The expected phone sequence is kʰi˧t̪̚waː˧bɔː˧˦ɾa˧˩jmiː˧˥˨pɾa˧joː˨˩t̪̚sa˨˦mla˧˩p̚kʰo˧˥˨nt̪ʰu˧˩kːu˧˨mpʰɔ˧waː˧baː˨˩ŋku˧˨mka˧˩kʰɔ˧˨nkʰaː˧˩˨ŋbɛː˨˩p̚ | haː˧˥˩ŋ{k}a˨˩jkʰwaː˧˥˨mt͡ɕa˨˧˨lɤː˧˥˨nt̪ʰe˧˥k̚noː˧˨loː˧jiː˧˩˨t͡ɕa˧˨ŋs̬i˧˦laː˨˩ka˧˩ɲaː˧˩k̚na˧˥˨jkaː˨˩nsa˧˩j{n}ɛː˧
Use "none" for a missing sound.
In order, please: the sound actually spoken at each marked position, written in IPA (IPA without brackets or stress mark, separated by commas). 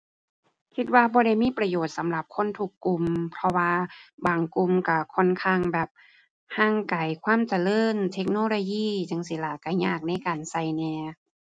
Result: k, n